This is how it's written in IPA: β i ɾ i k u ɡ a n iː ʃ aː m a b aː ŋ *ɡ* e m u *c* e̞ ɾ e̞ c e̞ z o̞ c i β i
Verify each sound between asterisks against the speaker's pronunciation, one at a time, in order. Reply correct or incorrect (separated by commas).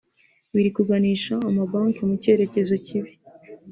incorrect, correct